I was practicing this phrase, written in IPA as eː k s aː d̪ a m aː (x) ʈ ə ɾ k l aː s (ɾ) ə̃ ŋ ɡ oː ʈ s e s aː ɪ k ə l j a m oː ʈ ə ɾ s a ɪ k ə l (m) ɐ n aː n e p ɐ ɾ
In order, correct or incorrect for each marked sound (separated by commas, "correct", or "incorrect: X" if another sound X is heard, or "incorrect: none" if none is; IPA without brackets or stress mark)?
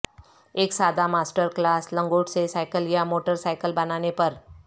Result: incorrect: s, incorrect: l, incorrect: b